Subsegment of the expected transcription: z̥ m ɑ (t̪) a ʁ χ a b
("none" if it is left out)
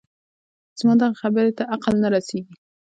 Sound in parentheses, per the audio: d̪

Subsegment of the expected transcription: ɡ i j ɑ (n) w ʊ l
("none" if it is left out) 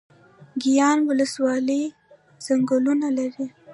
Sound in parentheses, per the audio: n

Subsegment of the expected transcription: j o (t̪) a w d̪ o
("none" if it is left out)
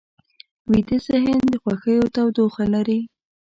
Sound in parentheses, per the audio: t̪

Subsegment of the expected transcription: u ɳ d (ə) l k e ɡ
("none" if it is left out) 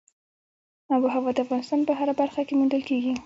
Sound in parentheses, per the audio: ə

